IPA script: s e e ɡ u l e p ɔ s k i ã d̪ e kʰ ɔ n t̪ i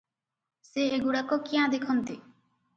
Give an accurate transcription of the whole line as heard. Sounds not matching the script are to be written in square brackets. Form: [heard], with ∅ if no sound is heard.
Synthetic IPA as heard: s e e ɡ u [ɽ] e [k] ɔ [∅] k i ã d̪ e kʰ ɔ n t̪ i

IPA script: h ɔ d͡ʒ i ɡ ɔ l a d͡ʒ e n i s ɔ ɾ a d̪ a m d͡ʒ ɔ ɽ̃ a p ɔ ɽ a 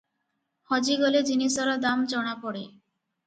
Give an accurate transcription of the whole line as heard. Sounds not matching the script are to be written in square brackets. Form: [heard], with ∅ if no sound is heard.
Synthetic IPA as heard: h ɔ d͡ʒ i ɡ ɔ l [e] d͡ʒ [i] n i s ɔ ɾ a d̪ a m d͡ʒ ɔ ɽ̃ a p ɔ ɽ [e]

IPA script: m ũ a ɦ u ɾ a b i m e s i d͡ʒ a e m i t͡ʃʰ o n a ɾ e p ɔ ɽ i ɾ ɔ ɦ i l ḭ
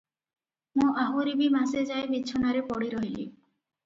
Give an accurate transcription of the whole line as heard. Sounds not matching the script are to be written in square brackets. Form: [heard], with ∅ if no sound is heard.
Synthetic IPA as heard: m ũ a ɦ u ɾ [i] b i m [a] s [e] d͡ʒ a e [b] i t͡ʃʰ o n a ɾ e p ɔ ɽ i ɾ ɔ ɦ i l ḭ

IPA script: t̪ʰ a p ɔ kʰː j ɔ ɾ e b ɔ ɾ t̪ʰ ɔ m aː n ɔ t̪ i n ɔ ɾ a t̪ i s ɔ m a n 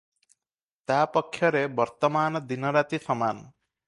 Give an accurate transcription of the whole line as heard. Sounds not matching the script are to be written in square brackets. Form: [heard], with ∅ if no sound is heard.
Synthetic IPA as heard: [t̪] a p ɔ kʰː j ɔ ɾ e b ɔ ɾ [t̪] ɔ m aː n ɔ [d̪] i n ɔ ɾ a t̪ i s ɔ m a n

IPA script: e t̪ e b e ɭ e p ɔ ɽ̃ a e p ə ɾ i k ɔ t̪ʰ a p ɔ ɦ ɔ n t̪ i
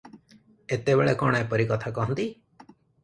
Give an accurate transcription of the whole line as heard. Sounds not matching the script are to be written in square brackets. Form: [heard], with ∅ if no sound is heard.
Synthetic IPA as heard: e t̪ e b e ɭ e [k] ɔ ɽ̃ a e p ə ɾ i k ɔ t̪ʰ a [k] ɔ ɦ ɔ n t̪ i

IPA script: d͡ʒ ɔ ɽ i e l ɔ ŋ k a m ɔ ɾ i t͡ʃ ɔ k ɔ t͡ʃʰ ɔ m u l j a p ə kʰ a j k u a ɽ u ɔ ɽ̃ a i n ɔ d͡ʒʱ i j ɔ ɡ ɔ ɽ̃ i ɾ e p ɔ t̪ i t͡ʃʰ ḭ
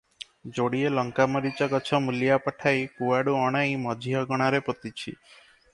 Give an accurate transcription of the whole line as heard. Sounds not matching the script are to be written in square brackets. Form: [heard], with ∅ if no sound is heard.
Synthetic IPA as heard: d͡ʒ [o] ɽ i e l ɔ ŋ k a m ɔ ɾ i t͡ʃ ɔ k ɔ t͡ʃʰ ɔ m u l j a p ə [ʈʰ] a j k u a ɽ u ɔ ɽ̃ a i [m] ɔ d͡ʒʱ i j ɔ ɡ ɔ ɽ̃ [a] ɾ e p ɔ t̪ i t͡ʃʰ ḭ

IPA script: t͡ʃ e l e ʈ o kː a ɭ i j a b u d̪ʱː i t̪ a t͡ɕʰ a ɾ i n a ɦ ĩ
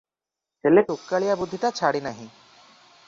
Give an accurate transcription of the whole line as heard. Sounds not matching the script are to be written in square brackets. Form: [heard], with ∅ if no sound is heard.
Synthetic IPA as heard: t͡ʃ e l e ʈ o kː a ɭ i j a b u d̪ʱː i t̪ a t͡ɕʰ a [ɽ] i n a ɦ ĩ

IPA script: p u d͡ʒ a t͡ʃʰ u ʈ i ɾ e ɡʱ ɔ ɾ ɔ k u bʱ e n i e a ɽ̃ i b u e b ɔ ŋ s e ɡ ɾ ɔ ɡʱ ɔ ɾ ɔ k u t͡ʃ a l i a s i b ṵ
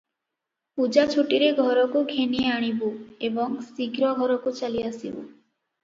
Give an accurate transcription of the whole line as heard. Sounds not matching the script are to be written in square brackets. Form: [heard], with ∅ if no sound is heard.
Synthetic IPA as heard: p u d͡ʒ a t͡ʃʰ u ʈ i ɾ e ɡʱ ɔ ɾ ɔ k u [ɡʱ] e n i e a ɽ̃ i b u e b ɔ ŋ s [i] ɡ ɾ ɔ ɡʱ ɔ ɾ ɔ k u t͡ʃ a l i a s i b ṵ

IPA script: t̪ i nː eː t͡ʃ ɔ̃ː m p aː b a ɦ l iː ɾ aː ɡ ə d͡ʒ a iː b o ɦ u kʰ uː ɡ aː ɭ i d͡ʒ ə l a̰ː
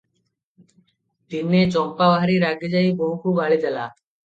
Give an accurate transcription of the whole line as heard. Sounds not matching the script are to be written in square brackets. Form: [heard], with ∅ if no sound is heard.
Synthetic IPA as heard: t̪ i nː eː t͡ʃ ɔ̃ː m p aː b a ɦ [ɾ] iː ɾ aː ɡ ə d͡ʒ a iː b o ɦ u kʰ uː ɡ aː ɭ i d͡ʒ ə l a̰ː

